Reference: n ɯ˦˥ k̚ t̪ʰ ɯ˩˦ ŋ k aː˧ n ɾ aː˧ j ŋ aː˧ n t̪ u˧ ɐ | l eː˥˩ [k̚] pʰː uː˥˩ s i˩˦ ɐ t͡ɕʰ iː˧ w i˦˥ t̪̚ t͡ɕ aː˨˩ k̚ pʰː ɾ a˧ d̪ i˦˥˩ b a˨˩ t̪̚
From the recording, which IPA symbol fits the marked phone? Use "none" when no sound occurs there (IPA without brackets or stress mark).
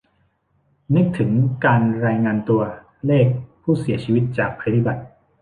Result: k̚